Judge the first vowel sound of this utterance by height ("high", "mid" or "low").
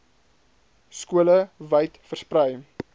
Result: high